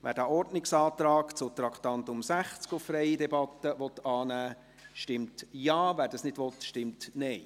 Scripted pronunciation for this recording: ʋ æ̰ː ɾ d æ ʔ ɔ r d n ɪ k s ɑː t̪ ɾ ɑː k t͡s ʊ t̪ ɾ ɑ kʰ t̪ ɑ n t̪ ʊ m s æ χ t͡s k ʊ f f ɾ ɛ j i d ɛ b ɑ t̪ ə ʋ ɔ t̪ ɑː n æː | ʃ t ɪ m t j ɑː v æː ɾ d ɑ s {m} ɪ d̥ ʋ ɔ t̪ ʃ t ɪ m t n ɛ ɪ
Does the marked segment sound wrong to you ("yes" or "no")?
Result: yes